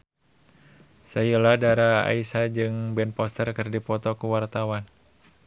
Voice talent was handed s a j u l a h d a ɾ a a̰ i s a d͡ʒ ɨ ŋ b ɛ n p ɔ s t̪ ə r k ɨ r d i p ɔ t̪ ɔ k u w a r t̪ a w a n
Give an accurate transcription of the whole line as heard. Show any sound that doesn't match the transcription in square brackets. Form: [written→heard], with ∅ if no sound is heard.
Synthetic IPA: s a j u l a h d a ɾ a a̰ i s a d͡ʒ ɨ ŋ b ɛ n p ɔ s t̪ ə r k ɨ r d i p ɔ t̪ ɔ k u w a r t̪ a w a n